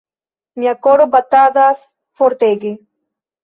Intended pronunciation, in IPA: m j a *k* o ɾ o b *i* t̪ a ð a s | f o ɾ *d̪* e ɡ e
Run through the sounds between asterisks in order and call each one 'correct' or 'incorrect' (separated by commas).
correct, incorrect, incorrect